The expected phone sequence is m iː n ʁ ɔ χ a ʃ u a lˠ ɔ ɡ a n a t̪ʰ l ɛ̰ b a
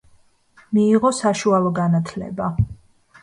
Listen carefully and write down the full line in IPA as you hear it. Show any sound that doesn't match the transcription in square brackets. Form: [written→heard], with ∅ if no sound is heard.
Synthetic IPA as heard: m iː [n→∅] ʁ ɔ [χ→s] a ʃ u a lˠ ɔ ɡ a n a t̪ʰ l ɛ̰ b a